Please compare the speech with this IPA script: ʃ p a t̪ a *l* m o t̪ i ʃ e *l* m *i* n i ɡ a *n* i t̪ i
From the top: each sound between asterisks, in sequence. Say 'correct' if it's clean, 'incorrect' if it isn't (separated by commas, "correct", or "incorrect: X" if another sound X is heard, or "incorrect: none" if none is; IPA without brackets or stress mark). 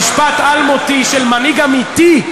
correct, correct, incorrect: a, incorrect: m